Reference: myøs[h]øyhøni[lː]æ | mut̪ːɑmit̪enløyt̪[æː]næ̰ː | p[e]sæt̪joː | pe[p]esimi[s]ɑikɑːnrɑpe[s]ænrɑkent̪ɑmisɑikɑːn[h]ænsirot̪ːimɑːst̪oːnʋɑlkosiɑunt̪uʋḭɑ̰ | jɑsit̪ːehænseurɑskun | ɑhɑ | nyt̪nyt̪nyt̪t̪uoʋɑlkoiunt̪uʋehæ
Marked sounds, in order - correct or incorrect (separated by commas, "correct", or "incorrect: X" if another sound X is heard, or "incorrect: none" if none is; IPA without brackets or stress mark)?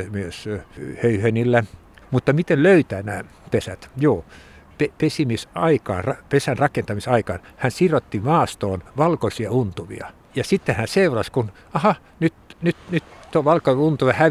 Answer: correct, correct, correct, correct, correct, correct, correct, correct